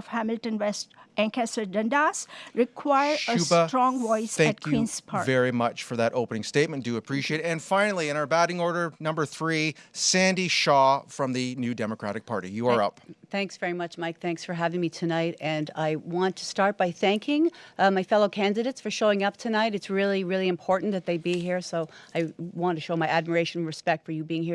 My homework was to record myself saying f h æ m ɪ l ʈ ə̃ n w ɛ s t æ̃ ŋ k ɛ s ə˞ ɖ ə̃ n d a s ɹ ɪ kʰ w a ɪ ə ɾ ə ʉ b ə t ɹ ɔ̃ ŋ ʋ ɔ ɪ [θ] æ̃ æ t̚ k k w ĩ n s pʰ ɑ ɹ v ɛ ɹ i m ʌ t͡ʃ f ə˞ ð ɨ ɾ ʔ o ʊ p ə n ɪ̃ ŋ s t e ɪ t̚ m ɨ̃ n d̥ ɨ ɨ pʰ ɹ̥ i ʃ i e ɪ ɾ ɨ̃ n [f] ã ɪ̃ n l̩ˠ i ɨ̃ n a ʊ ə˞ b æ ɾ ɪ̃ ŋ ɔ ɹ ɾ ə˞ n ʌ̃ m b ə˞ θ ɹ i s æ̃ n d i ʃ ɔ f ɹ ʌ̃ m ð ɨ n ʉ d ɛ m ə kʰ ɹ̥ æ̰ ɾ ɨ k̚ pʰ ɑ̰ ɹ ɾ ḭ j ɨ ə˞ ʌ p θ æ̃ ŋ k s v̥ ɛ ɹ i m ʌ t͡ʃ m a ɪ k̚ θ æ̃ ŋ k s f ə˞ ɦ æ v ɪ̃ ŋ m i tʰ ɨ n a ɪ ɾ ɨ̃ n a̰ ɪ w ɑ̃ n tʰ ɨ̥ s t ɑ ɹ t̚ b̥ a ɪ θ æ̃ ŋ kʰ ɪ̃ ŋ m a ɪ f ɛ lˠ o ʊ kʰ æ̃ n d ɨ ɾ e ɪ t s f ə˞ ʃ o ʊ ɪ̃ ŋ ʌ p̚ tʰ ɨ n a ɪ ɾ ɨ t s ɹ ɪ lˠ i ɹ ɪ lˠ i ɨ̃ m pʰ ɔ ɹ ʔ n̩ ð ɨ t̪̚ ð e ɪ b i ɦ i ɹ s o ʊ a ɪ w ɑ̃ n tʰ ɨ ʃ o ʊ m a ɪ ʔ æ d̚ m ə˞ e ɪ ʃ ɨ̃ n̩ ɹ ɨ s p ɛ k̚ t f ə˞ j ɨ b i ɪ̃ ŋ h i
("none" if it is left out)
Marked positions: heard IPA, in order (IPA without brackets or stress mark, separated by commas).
s, f